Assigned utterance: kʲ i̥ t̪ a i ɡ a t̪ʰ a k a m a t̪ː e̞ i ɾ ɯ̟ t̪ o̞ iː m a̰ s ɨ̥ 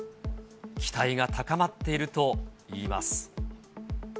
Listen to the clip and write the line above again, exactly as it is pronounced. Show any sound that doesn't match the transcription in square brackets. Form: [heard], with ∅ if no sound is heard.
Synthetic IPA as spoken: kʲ i̥ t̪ a i ɡ a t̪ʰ a k a m a t̪ː e̞ i ɾ ɯ̟ t̪ o̞ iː m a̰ s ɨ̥